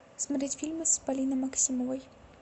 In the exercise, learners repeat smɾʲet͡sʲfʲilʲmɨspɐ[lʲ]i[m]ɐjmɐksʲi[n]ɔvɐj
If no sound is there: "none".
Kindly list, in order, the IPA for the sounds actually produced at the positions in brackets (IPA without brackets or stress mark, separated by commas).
lʲ, n, m